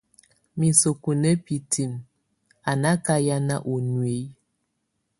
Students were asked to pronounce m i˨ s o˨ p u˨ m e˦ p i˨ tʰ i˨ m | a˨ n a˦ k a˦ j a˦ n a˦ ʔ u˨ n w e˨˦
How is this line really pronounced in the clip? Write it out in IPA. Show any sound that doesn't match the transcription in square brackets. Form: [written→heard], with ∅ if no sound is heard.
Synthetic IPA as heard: m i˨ s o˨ [p→k] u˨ [m→n] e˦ p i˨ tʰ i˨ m | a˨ n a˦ k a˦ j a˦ n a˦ ʔ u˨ n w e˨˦

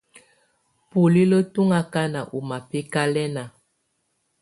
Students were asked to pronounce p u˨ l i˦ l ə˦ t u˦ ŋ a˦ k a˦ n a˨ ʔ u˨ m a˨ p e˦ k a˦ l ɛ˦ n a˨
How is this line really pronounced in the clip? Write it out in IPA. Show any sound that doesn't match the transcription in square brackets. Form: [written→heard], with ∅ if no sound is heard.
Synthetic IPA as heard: p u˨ l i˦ l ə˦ t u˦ ŋ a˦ k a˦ n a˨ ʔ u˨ m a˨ p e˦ k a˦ l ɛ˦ n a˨

